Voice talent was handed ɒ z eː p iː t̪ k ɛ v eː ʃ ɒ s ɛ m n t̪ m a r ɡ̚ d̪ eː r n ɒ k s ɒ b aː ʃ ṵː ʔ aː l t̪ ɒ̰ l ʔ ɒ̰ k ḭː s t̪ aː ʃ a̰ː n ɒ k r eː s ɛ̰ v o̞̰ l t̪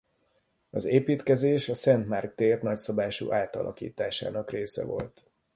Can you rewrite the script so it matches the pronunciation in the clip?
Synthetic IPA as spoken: ɒ z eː p iː t̪ k ɛ z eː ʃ ɒ s ɛ n t̪ m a r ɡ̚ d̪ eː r n ɒ c s ɒ b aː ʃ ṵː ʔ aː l t̪ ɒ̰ l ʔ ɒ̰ k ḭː t̪ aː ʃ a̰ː n ɒ k r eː s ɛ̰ v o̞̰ l t̪